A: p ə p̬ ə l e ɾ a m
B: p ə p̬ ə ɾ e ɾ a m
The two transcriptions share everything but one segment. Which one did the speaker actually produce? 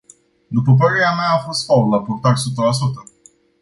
B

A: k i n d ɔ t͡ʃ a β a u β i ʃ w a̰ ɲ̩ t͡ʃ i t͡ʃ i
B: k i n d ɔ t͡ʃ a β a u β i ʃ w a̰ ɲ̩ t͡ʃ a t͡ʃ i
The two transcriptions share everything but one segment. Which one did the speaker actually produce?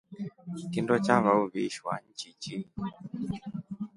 A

